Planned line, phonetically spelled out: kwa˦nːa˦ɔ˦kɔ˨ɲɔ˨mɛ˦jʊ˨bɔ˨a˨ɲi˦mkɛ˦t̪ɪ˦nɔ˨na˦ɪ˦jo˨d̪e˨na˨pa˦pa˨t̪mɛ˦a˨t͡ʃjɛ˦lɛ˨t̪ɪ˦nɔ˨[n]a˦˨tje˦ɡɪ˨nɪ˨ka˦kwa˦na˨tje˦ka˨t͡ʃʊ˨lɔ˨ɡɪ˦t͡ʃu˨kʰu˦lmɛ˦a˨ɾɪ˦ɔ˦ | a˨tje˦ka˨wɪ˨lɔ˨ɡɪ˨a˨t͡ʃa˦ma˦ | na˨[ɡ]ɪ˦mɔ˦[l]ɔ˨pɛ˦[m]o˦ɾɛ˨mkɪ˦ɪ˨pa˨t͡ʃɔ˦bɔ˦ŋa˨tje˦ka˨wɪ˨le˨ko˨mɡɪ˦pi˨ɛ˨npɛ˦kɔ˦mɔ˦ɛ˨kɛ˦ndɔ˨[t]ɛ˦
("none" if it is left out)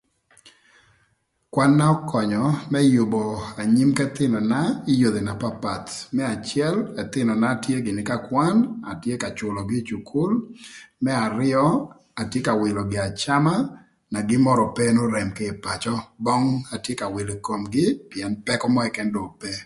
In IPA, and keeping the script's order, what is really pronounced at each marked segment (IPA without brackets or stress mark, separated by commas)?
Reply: n, ɡ, ɾ, n, p